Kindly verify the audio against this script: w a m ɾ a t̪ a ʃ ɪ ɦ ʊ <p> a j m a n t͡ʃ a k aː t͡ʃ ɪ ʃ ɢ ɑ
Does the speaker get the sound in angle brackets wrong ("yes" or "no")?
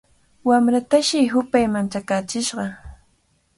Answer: no